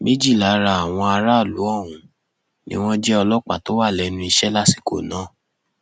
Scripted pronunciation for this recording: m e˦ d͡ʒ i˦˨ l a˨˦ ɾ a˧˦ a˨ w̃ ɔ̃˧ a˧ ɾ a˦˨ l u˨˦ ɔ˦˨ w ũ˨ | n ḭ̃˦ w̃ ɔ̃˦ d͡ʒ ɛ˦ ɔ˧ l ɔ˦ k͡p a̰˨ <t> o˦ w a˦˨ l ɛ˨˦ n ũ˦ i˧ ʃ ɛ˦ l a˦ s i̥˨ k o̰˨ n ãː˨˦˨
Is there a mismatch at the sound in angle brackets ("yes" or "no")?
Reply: no